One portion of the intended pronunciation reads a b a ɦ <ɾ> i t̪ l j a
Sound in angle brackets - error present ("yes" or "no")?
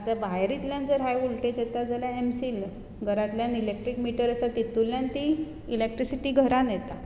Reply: no